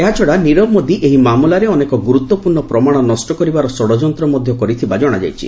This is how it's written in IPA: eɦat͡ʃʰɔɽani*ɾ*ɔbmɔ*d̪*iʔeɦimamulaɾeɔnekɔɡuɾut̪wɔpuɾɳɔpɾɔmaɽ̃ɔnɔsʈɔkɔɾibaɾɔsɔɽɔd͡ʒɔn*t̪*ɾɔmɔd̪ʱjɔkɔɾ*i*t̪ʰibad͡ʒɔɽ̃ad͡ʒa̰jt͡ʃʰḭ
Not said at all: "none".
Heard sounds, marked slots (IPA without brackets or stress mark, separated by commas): ɾ, d̪, t̪, i